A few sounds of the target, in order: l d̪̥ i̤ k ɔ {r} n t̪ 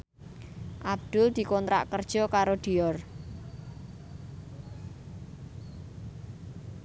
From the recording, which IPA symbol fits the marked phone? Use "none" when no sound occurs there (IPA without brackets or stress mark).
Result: none